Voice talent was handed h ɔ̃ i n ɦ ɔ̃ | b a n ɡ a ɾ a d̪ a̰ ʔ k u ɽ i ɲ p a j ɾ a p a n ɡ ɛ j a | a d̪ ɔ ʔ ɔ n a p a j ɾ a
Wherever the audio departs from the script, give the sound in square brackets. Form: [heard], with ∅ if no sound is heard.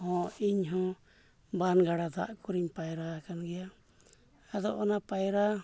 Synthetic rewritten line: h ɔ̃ i [ɲ] ɦ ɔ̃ | b a n ɡ a [ɽ] a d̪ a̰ ʔ k u [ɾ] i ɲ p a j ɾ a [k] a n ɡ ɛ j a | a d̪ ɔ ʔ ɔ n a p a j ɾ a